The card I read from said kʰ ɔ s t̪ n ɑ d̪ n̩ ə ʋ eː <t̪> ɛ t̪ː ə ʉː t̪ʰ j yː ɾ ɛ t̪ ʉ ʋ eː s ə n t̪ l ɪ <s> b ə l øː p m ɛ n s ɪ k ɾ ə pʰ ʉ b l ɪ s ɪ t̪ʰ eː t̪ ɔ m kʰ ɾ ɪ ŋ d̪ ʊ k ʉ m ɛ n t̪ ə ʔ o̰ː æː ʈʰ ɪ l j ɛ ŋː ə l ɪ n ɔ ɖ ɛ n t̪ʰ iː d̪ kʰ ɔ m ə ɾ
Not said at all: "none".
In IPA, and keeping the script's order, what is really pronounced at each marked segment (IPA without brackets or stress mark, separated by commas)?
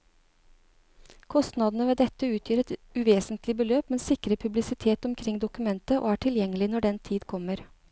d̪, none